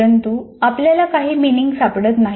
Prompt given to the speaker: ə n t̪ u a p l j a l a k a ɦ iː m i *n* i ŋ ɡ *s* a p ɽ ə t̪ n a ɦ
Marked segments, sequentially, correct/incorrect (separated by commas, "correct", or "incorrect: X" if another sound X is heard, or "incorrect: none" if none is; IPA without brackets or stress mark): correct, correct